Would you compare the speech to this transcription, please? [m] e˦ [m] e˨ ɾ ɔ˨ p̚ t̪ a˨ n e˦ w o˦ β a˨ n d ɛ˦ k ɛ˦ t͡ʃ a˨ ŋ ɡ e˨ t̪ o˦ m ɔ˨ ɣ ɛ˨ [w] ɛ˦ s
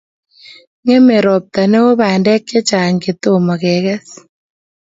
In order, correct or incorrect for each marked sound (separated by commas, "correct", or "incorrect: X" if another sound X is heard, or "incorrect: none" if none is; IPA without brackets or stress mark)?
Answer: incorrect: ŋ, correct, incorrect: ɣ